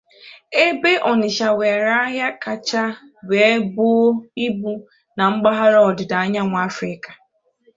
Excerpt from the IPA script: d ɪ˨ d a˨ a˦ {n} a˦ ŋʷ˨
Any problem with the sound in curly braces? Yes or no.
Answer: yes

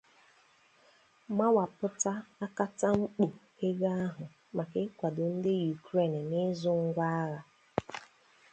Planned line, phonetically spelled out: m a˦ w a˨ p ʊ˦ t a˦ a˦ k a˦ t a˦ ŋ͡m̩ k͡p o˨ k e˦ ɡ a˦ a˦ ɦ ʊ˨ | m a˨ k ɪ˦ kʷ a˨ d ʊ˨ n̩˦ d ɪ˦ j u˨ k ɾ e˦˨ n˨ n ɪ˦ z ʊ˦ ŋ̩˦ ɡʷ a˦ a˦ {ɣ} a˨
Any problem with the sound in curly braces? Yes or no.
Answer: no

